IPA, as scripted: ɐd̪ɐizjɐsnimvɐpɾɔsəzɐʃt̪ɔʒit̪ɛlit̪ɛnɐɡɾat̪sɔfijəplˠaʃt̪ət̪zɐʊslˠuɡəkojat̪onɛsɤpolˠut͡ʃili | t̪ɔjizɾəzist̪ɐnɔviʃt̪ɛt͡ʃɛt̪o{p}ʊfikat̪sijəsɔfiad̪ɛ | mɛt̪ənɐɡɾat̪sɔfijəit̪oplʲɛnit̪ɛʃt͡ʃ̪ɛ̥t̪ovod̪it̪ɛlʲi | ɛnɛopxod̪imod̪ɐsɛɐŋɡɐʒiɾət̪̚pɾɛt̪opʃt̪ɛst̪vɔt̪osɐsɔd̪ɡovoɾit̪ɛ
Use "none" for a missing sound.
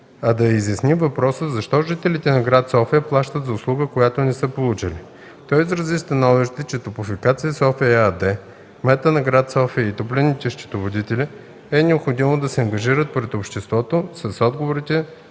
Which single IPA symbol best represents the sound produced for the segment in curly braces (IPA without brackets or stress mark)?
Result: p